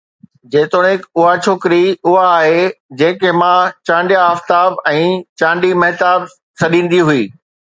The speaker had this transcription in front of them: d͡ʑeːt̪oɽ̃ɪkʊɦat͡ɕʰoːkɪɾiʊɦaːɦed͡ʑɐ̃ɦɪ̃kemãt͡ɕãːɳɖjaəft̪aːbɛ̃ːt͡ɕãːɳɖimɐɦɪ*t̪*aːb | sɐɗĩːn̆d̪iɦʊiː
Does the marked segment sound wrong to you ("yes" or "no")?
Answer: no